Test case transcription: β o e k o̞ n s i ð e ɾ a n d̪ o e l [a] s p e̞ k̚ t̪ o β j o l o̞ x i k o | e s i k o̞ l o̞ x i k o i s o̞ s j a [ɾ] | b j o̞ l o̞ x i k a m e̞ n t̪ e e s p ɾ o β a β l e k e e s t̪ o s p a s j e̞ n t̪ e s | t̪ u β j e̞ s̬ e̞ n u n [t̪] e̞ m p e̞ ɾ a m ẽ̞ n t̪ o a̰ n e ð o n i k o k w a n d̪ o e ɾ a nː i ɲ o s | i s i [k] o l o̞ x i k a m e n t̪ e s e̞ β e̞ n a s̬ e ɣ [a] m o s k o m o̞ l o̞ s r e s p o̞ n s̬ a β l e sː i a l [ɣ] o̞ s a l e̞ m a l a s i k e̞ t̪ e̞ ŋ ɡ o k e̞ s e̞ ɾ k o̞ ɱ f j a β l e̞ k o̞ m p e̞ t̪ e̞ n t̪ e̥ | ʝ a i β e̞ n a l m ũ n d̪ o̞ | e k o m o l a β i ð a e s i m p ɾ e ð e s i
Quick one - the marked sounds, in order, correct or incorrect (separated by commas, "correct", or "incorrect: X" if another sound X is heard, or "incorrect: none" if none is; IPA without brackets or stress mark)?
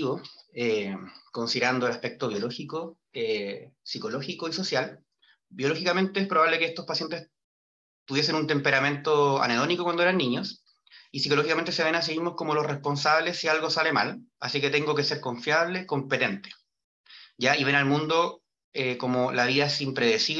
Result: correct, incorrect: l, correct, correct, incorrect: i, correct